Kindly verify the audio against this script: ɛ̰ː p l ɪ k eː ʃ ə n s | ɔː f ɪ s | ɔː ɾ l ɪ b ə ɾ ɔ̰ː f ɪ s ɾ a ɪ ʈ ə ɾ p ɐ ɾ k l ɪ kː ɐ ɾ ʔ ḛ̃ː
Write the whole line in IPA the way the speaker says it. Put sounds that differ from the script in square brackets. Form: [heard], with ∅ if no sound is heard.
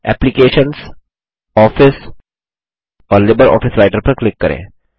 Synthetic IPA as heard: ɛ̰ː p l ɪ k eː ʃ ə n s | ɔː f ɪ s | ɔː ɾ l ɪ b ə ɾ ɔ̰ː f ɪ s ɾ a ɪ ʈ ə ɾ p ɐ ɾ k l ɪ kː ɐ ɾ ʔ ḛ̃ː